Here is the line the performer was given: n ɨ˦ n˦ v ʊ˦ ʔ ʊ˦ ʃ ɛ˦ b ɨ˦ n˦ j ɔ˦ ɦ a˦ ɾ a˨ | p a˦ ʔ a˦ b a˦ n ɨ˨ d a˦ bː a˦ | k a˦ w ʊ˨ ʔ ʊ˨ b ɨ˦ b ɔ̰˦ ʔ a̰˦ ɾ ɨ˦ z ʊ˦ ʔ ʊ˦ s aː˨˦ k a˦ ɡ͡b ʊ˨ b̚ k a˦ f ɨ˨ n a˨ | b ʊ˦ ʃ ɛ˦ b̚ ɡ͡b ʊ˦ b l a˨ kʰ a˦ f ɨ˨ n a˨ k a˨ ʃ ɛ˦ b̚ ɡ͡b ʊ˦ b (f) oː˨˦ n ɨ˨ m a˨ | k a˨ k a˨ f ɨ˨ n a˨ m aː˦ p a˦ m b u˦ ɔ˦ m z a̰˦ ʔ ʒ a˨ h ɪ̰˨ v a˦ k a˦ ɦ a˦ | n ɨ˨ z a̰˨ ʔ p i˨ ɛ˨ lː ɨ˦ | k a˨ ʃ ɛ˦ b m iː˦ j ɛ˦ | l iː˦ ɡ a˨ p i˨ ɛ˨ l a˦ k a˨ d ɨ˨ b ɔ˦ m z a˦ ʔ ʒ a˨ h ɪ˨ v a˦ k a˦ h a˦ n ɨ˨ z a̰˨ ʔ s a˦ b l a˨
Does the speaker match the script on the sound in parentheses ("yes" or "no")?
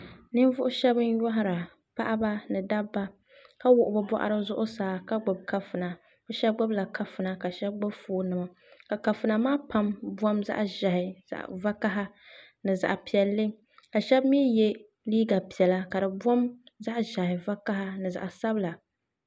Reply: yes